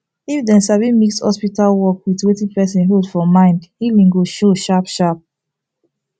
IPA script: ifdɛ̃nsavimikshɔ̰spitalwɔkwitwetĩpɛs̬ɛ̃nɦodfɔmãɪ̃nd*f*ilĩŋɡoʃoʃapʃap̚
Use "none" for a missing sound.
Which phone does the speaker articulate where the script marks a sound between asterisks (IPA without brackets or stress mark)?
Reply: h